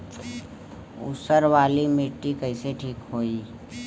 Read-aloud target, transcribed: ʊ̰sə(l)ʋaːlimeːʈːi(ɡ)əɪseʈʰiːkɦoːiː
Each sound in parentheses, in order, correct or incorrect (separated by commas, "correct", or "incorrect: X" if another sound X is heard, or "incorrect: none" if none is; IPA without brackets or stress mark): incorrect: ɾ, incorrect: k